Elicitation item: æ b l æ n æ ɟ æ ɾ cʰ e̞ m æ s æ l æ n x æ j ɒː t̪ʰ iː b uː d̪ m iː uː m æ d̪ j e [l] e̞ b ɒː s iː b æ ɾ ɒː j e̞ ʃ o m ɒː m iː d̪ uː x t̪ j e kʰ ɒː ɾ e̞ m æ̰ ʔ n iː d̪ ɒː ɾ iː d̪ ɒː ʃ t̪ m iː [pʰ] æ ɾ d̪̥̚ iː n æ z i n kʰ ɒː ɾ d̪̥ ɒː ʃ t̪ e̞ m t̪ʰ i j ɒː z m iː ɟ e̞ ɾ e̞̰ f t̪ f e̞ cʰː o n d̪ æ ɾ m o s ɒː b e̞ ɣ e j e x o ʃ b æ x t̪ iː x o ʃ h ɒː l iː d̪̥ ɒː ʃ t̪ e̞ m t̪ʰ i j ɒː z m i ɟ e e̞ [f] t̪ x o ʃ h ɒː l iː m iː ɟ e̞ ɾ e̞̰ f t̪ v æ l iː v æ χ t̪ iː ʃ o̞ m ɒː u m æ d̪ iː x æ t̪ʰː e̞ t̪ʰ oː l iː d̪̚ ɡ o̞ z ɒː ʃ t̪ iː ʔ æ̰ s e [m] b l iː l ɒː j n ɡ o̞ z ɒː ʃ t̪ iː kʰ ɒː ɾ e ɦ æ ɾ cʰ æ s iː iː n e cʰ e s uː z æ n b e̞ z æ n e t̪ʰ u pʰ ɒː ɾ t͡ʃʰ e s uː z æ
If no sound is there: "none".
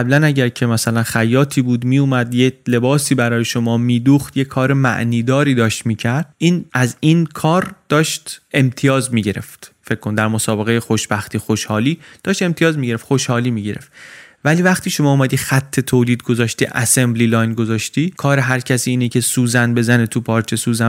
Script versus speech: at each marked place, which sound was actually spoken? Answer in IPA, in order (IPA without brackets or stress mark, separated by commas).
l, cʰ, f, m